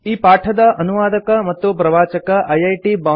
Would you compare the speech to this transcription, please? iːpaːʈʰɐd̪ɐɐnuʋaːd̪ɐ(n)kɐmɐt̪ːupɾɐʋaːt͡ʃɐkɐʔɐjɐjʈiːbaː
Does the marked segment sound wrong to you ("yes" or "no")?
yes